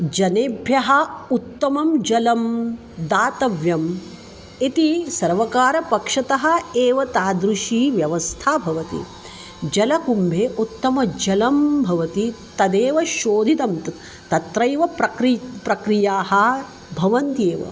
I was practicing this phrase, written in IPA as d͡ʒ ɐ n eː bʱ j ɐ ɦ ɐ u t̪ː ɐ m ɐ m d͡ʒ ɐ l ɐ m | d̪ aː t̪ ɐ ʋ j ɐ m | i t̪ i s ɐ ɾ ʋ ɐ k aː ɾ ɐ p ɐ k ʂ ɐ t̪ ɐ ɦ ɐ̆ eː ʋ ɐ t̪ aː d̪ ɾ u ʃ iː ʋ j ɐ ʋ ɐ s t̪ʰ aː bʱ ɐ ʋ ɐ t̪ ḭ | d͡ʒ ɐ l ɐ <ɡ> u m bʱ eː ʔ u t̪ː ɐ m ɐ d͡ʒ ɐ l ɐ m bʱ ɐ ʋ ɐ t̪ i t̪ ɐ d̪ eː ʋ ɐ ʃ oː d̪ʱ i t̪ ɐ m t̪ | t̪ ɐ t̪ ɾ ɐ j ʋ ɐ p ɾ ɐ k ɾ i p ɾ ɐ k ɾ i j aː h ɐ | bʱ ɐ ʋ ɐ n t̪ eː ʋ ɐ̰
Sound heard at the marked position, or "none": k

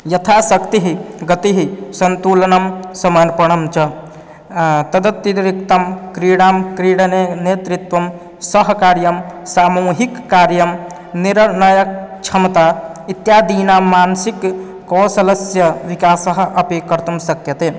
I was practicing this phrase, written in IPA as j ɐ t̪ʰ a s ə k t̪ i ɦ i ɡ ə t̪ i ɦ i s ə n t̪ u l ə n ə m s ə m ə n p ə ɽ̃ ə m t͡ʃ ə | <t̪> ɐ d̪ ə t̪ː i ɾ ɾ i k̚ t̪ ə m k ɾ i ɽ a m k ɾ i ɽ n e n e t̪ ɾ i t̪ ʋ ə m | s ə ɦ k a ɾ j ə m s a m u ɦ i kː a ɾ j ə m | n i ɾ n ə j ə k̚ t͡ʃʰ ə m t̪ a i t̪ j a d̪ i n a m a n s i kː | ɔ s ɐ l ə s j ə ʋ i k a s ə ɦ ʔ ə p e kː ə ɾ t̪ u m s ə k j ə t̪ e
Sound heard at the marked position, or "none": t̪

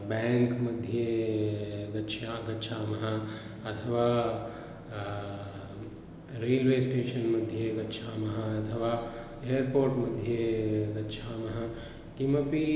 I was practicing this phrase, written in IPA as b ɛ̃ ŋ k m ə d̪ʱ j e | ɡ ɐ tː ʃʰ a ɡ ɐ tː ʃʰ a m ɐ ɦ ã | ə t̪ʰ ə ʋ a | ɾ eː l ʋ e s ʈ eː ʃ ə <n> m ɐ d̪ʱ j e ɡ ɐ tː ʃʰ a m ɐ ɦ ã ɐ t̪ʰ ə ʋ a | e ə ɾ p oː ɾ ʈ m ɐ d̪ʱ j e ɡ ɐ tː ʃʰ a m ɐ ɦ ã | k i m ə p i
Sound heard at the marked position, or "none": n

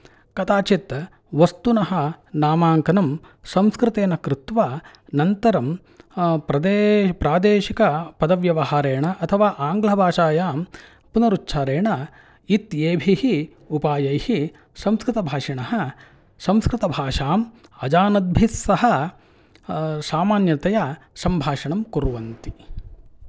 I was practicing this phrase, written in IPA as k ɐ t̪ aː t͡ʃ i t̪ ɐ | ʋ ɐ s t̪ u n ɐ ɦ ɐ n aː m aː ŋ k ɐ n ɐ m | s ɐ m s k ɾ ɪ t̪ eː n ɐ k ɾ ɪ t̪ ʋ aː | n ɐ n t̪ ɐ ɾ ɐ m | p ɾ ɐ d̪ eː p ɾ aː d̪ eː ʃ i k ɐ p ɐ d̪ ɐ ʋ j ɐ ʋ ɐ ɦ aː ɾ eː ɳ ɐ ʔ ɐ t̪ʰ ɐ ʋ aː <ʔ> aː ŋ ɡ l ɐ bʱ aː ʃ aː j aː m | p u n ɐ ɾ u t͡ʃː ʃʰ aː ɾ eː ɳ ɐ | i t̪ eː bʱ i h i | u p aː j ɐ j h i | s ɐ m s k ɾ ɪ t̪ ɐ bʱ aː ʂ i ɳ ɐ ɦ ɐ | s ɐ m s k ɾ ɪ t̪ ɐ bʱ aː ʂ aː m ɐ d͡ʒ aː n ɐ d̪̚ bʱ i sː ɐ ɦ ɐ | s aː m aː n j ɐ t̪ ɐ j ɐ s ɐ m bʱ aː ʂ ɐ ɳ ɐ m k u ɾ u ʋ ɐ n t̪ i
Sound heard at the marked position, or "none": ʔ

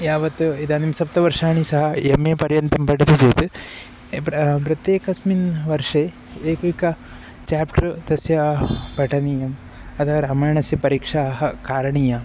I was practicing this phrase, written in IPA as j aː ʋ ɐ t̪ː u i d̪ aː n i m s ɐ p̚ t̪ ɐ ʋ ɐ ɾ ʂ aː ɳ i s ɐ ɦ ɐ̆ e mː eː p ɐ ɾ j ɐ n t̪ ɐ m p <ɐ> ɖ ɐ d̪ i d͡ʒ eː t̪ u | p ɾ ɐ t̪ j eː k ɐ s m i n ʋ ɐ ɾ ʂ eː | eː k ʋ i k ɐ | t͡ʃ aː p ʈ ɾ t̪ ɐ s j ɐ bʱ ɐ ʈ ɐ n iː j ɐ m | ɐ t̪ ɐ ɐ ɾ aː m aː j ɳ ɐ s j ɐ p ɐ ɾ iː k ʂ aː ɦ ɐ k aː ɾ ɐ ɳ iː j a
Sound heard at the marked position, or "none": ɐ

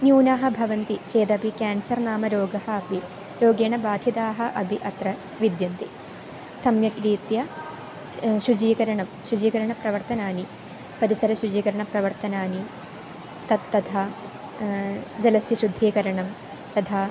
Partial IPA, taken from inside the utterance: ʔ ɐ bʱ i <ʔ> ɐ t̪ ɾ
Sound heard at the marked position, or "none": ʔ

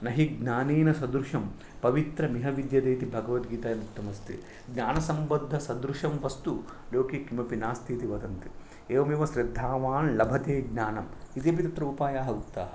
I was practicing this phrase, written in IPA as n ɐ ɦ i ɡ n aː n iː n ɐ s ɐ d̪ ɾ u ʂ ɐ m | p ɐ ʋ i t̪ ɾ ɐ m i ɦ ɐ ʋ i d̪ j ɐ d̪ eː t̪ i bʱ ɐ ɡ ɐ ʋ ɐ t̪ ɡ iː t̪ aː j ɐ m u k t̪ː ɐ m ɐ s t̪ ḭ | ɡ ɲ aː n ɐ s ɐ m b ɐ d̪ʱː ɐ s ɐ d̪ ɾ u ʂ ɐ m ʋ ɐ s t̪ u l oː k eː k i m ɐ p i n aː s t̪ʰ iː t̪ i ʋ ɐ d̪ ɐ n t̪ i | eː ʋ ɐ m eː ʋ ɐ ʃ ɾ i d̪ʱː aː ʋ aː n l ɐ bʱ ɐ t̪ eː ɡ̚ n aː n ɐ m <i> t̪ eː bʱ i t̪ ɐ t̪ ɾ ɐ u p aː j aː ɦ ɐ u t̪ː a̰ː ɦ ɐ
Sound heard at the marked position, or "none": i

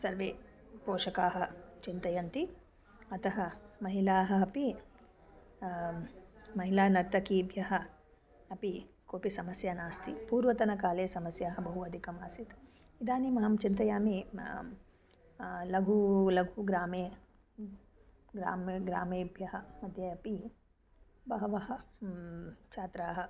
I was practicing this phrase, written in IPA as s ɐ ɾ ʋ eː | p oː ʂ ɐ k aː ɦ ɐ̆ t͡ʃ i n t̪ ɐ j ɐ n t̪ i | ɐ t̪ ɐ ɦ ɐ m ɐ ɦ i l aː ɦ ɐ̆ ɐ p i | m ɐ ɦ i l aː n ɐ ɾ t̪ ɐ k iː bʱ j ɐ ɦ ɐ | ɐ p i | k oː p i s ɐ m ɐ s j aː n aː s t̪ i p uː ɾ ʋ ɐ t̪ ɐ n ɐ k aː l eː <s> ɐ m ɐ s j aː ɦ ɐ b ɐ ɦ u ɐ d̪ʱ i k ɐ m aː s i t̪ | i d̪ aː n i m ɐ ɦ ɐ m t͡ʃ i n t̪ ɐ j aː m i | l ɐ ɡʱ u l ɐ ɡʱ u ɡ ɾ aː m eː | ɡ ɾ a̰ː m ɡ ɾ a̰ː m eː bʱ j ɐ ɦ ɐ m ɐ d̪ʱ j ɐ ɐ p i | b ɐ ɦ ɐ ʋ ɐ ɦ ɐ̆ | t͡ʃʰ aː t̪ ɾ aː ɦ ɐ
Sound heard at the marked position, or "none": s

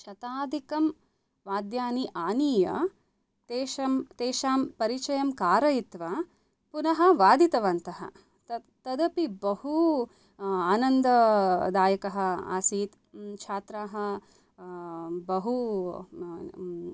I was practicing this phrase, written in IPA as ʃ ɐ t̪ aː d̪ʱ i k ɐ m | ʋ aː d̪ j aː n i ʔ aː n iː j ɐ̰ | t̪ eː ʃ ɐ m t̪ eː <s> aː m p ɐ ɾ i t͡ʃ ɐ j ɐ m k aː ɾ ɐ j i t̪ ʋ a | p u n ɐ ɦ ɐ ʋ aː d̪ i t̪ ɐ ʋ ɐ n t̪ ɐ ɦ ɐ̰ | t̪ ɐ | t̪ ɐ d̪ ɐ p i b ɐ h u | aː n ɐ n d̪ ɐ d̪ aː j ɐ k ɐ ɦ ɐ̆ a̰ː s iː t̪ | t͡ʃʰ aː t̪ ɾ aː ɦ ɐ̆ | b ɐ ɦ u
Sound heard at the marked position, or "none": ʃ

